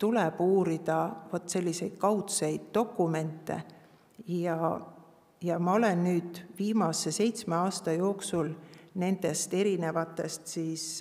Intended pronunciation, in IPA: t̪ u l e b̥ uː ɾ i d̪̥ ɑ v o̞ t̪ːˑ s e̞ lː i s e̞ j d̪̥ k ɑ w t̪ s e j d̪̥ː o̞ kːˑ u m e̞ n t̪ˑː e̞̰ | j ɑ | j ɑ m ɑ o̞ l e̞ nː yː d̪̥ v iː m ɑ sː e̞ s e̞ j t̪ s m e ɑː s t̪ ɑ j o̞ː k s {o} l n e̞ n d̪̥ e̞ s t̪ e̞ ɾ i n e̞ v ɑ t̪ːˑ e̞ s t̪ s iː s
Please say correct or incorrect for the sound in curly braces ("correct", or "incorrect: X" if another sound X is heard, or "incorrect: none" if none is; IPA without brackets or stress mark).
incorrect: u